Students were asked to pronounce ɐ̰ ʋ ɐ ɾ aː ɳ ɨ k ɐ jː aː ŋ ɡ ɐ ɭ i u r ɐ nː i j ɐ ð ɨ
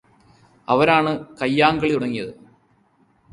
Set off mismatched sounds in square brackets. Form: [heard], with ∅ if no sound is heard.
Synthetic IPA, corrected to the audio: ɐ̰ ʋ ɐ ɾ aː ɳ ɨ k ɐ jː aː ŋ ɡ ɐ ɭ i u [ɽ] ɐ [ŋː] i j ɐ ð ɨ